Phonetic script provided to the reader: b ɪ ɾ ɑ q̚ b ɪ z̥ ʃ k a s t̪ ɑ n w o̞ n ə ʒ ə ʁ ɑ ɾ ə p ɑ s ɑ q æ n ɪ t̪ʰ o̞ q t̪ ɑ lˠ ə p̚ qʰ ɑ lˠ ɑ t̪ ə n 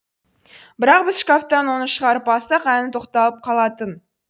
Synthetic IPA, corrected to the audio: b ɪ ɾ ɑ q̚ b ɪ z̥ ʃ k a f t̪ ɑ n w o̞ n ə ʃ ə ʁ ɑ ɾ ə p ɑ s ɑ q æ n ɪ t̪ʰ o̞ q t̪ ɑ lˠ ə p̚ qʰ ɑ lˠ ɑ t̪ ə n